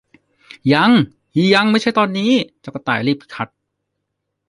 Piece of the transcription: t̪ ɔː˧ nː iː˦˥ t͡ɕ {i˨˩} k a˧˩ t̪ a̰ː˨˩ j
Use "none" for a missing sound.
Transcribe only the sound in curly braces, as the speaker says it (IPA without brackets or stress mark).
a˨˩